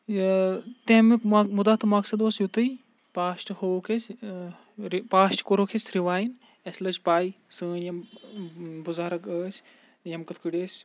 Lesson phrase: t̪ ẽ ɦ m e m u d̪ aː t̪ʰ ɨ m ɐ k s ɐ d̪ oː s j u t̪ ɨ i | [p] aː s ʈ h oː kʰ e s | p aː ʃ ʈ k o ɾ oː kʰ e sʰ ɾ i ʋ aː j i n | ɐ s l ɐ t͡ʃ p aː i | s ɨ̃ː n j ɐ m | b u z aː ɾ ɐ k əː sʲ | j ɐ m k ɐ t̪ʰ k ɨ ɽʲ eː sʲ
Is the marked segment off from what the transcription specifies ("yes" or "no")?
no